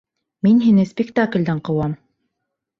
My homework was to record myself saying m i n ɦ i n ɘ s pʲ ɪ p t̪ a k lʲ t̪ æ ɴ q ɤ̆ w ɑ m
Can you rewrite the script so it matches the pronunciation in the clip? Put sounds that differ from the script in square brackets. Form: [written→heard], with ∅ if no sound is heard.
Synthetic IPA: m i n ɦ i n ɘ s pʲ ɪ [p→k] t̪ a k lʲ [t̪→d̪] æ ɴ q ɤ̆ w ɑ m

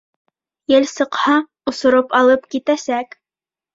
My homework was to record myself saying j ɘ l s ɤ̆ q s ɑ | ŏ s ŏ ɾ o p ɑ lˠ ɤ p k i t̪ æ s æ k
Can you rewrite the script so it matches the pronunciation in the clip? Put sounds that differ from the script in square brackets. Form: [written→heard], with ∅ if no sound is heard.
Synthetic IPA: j ɘ l s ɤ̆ q [s→h] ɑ | ŏ s ŏ ɾ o p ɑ lˠ ɤ p k i t̪ æ s æ k

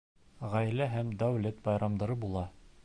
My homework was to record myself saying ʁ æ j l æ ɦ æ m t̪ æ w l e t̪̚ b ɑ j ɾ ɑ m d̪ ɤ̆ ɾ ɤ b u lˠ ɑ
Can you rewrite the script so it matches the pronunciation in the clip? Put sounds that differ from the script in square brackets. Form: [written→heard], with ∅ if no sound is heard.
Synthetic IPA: ʁ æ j l æ ɦ æ m [t̪→d̪] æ w l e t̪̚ b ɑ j ɾ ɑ m d̪ ɤ̆ ɾ ɤ b u lˠ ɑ

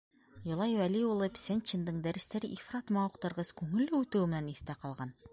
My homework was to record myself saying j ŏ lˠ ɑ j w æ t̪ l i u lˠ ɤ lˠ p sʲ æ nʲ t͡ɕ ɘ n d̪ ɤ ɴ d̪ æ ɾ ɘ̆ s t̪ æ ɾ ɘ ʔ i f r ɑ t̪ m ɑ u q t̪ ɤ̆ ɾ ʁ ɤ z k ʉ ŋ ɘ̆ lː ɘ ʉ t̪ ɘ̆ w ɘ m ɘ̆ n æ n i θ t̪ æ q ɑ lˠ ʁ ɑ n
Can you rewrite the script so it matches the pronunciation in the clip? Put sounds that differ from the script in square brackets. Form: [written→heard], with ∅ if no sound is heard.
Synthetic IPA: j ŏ lˠ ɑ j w æ [t̪→∅] l i u lˠ ɤ [lˠ→∅] p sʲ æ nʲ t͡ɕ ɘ n d̪ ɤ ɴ d̪ æ ɾ ɘ̆ s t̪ æ ɾ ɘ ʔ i f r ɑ t̪ m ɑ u q t̪ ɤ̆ ɾ ʁ ɤ z k ʉ ŋ ɘ̆ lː ɘ ʉ t̪ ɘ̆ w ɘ m ɘ̆ n æ n i θ t̪ æ q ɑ lˠ ʁ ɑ n

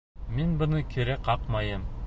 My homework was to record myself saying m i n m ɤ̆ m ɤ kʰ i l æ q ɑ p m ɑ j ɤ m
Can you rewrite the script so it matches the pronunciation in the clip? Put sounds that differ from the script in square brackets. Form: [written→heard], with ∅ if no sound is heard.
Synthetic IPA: m i n [m→b] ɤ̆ [m→n] ɤ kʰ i [l→ɾ] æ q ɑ [p→q] m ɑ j ɤ m

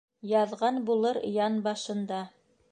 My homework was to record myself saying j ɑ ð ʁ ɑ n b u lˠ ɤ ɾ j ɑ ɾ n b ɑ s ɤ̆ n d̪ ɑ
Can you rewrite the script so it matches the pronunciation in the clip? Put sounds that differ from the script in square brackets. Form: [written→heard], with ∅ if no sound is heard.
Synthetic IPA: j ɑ ð ʁ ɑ n b u lˠ ɤ ɾ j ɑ [ɾ→∅] n b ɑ [s→ʃ] ɤ̆ n d̪ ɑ

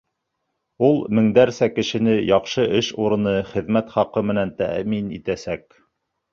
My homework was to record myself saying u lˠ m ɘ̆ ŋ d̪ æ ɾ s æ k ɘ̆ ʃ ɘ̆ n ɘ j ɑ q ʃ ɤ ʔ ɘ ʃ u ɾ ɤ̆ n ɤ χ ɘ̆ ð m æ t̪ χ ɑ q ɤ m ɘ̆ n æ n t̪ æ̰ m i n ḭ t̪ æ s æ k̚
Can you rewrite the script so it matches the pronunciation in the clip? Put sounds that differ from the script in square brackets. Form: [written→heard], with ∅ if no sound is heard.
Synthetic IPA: u lˠ m ɘ̆ ŋ d̪ æ ɾ s æ k ɘ̆ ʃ ɘ̆ n ɘ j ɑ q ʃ ɤ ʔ ɘ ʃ u ɾ ɤ̆ n ɤ χ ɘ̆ ð m æ t̪ χ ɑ q ɤ m ɘ̆ n æ n t̪ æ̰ m i n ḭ t̪ æ s æ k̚

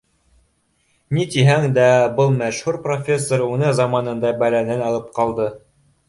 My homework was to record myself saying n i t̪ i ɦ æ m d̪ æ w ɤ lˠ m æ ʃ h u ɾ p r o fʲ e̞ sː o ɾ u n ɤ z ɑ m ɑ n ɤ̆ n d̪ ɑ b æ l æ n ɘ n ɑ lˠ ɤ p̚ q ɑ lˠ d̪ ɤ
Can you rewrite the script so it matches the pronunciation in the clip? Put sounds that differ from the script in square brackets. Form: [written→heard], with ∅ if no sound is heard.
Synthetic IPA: n i t̪ i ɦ æ [m→ŋ] d̪ æ [w→b] ɤ lˠ m æ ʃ h u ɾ p r o fʲ e̞ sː o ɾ u n ɤ z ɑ m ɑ n ɤ̆ n d̪ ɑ b æ l æ n ɘ n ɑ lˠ ɤ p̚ q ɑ lˠ d̪ ɤ

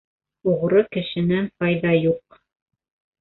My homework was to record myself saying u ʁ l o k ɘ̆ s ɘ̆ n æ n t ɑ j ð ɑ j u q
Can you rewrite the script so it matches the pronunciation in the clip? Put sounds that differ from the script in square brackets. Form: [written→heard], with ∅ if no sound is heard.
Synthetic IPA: u ʁ [l→ɾ] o k ɘ̆ [s→ʃ] ɘ̆ n æ n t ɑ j ð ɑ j u q

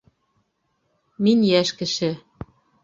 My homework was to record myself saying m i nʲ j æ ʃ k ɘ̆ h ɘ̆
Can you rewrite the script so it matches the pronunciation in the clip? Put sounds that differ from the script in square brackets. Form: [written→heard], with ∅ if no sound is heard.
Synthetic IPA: m i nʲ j æ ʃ k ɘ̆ [h→ʃ] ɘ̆

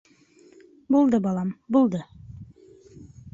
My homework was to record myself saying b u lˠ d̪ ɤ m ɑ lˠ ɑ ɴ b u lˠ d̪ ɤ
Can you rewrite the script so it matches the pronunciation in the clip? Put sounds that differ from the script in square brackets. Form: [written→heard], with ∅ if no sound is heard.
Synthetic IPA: b u lˠ d̪ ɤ [m→b] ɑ lˠ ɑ [ɴ→m] b u lˠ d̪ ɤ

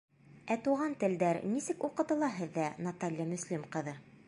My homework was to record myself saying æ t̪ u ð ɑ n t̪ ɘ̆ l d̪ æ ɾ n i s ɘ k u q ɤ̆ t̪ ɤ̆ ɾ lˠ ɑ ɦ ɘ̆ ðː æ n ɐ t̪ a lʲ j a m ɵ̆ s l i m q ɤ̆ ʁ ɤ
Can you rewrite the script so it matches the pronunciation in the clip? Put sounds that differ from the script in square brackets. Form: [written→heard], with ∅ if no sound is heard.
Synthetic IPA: æ t̪ u [ð→ʁ] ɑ n t̪ ɘ̆ l d̪ æ ɾ n i s ɘ k u q ɤ̆ t̪ ɤ̆ [ɾ→∅] lˠ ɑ ɦ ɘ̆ ðː æ n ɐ t̪ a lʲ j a m ɵ̆ s l i m q ɤ̆ [ʁ→ð] ɤ

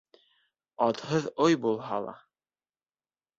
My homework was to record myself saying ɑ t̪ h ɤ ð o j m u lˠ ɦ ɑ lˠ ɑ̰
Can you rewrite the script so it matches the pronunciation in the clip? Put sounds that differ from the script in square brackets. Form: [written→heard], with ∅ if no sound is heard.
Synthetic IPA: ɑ t̪ h ɤ ð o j [m→b] u lˠ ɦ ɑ lˠ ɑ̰

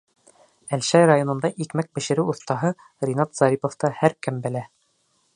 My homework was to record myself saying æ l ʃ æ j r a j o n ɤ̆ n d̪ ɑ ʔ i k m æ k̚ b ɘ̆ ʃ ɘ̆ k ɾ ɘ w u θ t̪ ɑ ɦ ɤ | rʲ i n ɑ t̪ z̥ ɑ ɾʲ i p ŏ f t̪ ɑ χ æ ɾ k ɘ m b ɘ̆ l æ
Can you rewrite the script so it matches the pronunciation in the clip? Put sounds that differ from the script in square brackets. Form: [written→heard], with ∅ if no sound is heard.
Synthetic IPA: æ l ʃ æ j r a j o n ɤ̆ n d̪ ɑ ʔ i k m æ k̚ b ɘ̆ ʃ ɘ̆ [k→∅] ɾ ɘ w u θ t̪ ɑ ɦ ɤ | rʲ i n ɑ t̪ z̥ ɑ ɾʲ i p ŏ f t̪ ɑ [χ→h] æ ɾ k ɘ m b ɘ̆ l æ

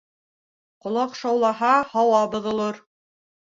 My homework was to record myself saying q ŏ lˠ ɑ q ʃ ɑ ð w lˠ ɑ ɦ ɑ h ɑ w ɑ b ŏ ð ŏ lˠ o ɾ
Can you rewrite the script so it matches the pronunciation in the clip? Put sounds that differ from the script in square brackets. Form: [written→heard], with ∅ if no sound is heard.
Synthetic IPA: q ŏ lˠ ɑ q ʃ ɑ [ð→∅] w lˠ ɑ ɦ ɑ h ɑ w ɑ b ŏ ð ŏ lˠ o ɾ

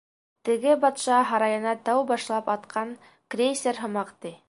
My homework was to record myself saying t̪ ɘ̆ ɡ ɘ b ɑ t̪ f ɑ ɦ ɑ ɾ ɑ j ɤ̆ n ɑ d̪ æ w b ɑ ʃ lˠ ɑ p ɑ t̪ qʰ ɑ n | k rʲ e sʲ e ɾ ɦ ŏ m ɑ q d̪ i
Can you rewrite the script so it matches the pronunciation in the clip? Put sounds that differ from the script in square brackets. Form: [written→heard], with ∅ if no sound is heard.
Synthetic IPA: t̪ ɘ̆ ɡ ɘ b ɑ t̪ [f→ʃ] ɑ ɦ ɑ ɾ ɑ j ɤ̆ n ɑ [d̪→t̪] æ w b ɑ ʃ lˠ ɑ p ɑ t̪ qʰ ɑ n | k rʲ e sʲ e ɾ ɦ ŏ m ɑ q [d̪→t̪] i

